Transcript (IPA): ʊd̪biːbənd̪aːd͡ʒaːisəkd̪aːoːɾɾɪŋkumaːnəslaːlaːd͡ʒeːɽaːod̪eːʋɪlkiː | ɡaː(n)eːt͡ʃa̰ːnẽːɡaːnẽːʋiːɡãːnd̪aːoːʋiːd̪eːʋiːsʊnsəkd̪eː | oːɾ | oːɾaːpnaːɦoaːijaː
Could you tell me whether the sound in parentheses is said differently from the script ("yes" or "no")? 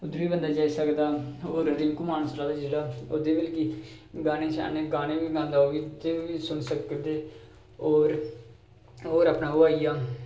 no